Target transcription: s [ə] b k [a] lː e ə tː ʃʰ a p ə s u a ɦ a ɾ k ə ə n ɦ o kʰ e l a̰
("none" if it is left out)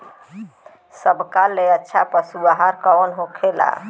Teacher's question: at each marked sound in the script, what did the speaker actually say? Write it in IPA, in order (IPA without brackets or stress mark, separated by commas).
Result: ə, a